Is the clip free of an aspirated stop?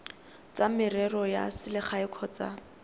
no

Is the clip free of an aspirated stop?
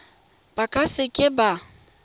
yes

